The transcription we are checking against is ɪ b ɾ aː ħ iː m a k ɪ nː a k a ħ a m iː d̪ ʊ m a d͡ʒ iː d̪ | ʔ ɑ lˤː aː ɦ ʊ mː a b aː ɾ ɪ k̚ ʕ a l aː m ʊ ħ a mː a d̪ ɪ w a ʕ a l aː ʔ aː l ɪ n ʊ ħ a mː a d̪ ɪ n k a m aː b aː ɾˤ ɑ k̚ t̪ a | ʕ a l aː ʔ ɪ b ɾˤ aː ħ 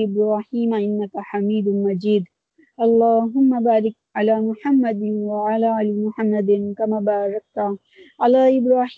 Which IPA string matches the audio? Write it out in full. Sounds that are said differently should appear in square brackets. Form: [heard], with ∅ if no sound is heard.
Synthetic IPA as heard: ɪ b ɾ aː ħ iː m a [ʔ] ɪ nː a k a ħ a m iː d̪ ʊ m a d͡ʒ iː d̪ | ʔ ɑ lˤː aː ɦ ʊ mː a b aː ɾ ɪ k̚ ʕ a l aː m ʊ ħ a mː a d̪ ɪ w a ʕ a l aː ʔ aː l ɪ [m] ʊ ħ a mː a d̪ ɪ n k a m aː b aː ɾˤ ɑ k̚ t̪ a | ʕ a l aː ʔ ɪ b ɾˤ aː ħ